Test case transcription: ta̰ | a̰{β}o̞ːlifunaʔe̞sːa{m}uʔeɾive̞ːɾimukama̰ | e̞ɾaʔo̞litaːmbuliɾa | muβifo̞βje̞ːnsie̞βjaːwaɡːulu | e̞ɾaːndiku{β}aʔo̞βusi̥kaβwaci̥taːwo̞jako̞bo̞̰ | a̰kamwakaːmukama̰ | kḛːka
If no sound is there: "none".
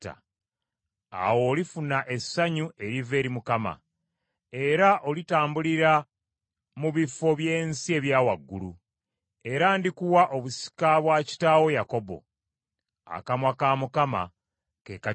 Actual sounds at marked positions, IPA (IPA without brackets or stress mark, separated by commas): w, ɲ, w